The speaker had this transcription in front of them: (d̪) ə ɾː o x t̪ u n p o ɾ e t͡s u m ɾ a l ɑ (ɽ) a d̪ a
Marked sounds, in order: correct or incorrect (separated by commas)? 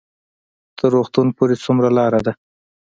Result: incorrect, incorrect